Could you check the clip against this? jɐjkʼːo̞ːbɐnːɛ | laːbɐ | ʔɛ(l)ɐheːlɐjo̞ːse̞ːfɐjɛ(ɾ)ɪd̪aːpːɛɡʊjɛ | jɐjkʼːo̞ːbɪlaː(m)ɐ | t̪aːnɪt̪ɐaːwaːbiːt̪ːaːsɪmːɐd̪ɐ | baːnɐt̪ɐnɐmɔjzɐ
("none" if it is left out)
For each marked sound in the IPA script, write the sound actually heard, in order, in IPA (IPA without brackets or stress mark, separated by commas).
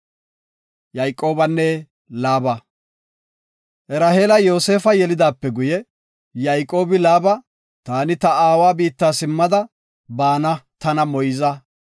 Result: ɾ, l, b